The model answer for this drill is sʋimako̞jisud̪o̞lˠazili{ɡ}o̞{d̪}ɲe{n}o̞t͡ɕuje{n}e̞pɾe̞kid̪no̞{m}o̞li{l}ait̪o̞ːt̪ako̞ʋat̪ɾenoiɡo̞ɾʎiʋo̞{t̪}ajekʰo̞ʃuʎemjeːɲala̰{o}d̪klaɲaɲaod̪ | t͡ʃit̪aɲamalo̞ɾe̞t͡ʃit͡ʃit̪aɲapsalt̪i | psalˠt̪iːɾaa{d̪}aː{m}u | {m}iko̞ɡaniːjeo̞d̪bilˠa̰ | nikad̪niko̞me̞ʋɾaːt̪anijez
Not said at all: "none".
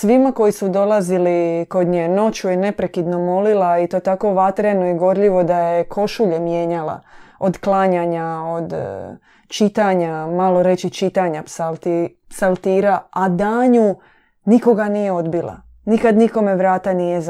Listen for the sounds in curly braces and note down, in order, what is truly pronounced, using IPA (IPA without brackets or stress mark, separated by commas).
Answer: k, d̪, n, n, m, l, d̪, o, d̪, ɲ, n